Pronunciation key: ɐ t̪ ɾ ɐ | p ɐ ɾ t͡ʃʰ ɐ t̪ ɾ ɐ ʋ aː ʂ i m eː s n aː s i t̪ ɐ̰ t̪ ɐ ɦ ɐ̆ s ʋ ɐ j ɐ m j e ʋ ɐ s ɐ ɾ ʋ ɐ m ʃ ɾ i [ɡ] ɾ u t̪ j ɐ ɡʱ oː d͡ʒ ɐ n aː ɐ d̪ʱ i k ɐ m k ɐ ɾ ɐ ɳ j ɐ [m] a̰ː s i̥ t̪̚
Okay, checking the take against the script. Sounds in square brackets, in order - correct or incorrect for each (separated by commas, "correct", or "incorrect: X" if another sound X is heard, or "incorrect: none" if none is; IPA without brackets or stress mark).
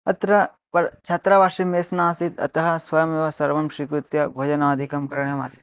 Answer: incorrect: k, correct